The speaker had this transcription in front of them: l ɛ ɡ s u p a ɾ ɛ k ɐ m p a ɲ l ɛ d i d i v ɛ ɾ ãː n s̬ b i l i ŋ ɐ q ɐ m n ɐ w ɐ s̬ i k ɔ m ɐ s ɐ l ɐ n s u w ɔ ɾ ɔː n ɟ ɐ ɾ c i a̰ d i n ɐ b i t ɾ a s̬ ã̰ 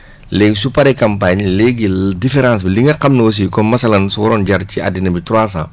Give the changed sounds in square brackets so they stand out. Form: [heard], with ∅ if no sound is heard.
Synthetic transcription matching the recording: l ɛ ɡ s u p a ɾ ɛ k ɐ m p a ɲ l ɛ [ɡ] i d i [f] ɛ ɾ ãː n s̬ b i l i ŋ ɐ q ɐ m n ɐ w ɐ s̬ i k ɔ m ɐ s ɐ l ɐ n s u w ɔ ɾ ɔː n ɟ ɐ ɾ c i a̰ d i n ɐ b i t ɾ a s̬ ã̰